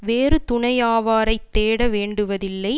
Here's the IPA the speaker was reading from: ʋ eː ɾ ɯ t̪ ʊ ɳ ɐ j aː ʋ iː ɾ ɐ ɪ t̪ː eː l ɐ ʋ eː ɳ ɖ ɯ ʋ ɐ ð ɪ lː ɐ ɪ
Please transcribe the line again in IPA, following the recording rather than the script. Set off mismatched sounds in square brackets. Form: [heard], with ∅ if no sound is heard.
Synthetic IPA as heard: ʋ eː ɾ ɯ t̪ ʊ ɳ ɐ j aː ʋ [aː] ɾ ɐ ɪ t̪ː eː [ɽ] ɐ ʋ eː ɳ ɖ ɯ ʋ ɐ ð ɪ lː ɐ ɪ